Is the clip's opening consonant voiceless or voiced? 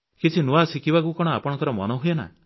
voiceless